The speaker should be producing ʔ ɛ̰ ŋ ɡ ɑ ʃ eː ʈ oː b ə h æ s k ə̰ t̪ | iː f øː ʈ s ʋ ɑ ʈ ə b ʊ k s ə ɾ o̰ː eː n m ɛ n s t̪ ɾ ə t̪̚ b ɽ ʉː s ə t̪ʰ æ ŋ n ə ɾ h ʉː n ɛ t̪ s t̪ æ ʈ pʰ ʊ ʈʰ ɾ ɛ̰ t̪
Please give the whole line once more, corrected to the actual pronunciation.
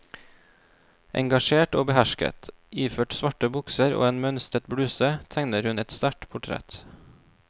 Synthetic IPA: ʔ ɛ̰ ŋ ɡ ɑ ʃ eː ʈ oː b ə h æ ʃ k ə̰ t̪ | iː f øː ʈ s ʋ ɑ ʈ ə b ʊ k s ə ɾ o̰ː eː n m œ n s t̪ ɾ ə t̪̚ b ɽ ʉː s ə t̪ʰ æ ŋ n ə ɾ h ʉ n ɛ t̪ s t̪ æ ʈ pʰ ʊ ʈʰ ɾ ɛ̰ t̪